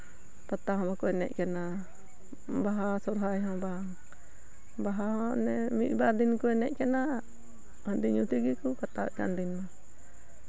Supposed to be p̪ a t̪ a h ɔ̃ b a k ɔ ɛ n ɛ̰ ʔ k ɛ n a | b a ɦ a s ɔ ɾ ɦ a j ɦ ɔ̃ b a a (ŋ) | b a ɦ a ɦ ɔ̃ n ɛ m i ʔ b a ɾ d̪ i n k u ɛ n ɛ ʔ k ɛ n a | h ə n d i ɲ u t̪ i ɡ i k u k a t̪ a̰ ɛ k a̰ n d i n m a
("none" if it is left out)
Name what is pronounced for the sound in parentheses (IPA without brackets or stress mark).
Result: ŋ